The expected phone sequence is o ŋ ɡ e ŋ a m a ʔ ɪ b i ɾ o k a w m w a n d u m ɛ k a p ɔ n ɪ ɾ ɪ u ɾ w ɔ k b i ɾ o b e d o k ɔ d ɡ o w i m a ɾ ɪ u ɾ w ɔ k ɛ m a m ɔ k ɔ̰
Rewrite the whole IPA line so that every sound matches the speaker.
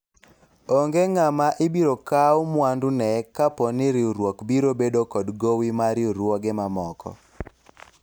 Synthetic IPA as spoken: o ŋ ɡ e ŋ a m a ʔ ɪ b i ɾ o k a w m w a n d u n ɛ k a p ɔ n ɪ ɾ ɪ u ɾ w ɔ k b i ɾ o b e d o k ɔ d ɡ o w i m a ɾ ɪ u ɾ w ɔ ɡ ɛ m a m ɔ k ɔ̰